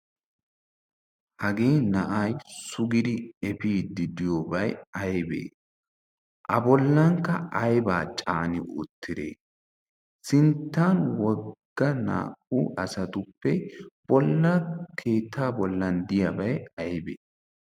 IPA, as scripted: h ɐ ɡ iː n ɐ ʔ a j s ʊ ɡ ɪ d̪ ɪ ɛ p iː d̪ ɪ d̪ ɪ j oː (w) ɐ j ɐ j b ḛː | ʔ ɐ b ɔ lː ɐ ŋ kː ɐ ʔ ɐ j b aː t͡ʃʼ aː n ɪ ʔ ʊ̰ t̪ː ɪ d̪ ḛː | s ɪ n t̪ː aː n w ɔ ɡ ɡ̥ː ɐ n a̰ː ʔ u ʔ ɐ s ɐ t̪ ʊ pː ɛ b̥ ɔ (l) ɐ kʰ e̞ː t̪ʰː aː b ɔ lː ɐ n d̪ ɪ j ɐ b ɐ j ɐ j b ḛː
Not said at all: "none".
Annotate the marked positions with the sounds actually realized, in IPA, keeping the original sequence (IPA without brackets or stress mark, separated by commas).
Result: b, lː